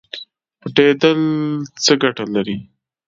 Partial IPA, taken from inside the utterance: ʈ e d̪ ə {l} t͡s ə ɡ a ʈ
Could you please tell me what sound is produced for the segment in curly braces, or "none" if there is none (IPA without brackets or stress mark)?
l